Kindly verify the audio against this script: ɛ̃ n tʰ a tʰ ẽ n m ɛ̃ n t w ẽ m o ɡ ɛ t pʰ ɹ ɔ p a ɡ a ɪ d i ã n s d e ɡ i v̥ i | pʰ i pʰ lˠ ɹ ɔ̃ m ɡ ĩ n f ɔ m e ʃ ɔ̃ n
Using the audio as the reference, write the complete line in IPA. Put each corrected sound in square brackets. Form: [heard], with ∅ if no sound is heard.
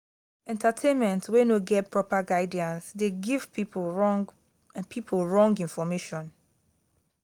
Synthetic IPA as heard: ɛ̃ n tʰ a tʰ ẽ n m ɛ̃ n t w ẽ [n] o ɡ ɛ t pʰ ɹ ɔ p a ɡ a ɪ d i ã n s d e ɡ i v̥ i | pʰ i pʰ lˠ ɹ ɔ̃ [ŋ] ɡ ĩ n f ɔ m e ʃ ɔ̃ n